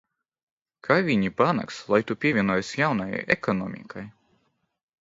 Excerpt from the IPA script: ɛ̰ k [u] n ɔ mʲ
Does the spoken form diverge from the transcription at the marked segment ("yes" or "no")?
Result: yes